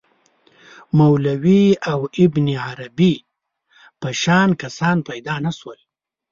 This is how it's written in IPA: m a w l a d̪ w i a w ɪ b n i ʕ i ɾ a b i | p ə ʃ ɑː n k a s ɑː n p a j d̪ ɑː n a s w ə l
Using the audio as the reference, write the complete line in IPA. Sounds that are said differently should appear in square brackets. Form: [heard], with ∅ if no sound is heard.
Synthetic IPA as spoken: m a w l a [∅] w i a w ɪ b n i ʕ [a] ɾ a b i | p ə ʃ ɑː n k a s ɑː n p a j d̪ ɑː n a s w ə l